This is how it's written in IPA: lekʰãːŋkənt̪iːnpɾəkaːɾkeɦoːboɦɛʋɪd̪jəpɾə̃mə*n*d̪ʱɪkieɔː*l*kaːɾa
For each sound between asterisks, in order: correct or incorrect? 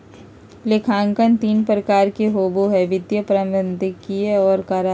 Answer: correct, incorrect

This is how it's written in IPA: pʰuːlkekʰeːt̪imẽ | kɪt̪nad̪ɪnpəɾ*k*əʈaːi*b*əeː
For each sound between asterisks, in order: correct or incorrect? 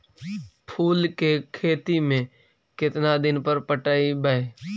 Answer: incorrect, correct

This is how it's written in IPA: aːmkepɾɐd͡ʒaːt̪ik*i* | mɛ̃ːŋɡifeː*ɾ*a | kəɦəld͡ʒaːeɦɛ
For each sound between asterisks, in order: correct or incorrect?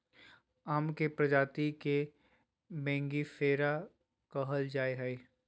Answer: incorrect, correct

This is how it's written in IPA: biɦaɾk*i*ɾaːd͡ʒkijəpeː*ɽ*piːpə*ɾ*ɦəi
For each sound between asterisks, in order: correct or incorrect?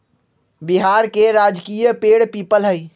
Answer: incorrect, correct, incorrect

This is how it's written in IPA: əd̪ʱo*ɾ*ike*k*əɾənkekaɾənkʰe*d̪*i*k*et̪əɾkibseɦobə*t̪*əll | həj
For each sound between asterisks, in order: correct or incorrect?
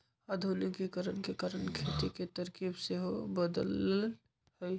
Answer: incorrect, correct, incorrect, correct, incorrect

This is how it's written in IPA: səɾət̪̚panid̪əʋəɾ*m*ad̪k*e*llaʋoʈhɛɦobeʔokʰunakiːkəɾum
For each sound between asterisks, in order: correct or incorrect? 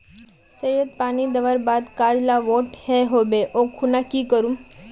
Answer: incorrect, incorrect

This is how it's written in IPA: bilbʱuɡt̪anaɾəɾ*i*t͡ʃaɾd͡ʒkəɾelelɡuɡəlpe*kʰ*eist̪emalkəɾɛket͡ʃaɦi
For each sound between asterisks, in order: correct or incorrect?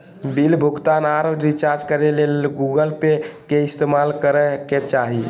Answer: correct, incorrect

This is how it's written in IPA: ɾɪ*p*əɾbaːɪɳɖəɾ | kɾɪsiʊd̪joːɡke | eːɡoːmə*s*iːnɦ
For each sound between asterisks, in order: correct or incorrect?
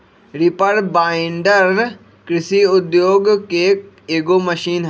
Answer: correct, incorrect

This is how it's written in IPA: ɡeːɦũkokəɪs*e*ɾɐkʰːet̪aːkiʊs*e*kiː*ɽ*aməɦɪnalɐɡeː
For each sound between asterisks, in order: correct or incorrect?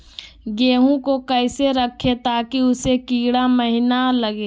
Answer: correct, correct, correct

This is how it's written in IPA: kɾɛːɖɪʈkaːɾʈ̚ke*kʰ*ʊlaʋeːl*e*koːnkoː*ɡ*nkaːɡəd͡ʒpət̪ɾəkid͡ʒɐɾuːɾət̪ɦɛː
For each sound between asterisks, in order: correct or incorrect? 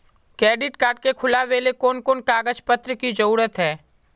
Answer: correct, correct, incorrect

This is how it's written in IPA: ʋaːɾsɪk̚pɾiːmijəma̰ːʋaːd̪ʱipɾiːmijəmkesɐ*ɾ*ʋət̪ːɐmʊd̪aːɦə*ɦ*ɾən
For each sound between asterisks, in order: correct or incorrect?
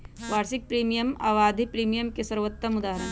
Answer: correct, incorrect

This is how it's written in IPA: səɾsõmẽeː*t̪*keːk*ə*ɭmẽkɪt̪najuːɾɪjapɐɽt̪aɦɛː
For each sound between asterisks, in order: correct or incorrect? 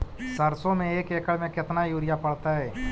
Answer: incorrect, correct

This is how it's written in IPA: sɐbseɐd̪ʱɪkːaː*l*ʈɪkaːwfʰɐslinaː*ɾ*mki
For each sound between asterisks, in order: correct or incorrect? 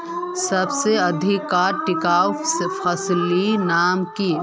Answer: incorrect, incorrect

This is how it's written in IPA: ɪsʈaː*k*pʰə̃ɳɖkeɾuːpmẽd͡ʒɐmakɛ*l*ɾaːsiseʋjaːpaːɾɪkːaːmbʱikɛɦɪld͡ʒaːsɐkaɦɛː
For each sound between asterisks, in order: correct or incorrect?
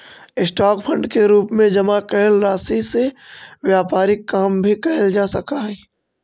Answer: correct, correct

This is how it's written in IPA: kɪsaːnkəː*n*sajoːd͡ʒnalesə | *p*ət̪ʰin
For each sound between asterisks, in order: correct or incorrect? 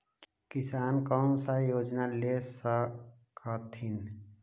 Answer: correct, incorrect

